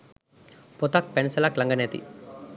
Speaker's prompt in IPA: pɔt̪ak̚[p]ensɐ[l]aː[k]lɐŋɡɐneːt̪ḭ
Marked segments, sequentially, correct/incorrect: correct, correct, correct

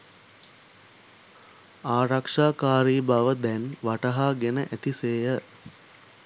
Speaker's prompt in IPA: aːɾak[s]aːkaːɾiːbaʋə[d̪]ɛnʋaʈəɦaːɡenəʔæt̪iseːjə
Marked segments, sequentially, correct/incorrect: incorrect, correct

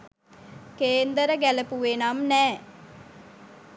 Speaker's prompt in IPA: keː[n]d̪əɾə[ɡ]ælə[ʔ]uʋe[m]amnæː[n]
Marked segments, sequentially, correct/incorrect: correct, correct, incorrect, incorrect, incorrect

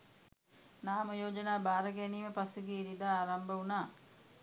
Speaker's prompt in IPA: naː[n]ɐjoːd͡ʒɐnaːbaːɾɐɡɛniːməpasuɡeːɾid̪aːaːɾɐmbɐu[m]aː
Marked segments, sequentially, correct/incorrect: incorrect, incorrect

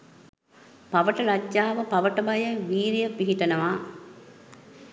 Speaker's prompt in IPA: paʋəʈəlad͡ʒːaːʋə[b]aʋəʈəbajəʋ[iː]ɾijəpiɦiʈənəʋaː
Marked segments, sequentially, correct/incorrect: incorrect, correct

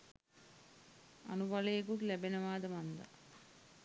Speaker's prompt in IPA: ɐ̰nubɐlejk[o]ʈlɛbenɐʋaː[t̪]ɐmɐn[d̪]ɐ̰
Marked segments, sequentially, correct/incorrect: incorrect, incorrect, correct

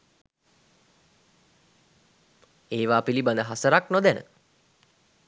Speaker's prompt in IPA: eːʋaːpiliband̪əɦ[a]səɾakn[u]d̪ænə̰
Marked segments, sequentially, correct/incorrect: correct, incorrect

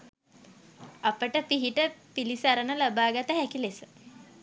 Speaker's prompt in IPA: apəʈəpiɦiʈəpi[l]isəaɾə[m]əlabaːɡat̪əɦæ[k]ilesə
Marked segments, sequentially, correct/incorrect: correct, incorrect, correct

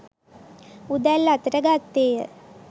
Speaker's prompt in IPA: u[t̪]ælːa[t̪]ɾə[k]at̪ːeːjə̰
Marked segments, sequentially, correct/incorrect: incorrect, correct, incorrect

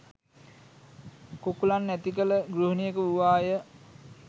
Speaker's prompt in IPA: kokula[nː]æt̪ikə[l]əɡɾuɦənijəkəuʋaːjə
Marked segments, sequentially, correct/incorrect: correct, correct

